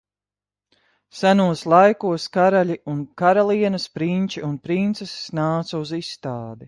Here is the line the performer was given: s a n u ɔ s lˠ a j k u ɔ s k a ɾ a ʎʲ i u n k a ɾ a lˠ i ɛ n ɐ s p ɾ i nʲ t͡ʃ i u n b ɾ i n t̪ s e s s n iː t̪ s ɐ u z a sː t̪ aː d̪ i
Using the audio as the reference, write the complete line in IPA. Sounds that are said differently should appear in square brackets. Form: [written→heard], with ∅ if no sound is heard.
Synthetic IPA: s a n u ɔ s lˠ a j k u ɔ s k a ɾ a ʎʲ i u n k a ɾ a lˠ i ɛ n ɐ s p ɾ i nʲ t͡ʃ i u n [b→p] ɾ i n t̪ s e s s n [iː→aː] t̪ s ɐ u z [a→i] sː t̪ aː d̪ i